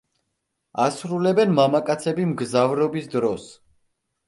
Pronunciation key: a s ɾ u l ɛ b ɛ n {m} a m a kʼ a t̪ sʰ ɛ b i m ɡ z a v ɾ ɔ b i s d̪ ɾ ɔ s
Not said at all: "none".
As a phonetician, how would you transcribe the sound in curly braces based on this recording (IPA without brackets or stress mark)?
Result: m